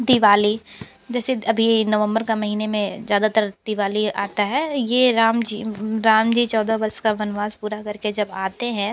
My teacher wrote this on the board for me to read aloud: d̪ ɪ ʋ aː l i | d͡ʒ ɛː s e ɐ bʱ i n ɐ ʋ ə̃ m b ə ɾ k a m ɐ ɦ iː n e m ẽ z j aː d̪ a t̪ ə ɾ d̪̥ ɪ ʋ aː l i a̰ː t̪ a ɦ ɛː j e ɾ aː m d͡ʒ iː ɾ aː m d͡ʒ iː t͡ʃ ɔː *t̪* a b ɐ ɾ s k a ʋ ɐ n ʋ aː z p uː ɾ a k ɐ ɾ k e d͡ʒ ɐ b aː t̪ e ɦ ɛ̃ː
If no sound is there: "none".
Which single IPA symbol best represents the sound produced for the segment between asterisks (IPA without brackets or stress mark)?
d̪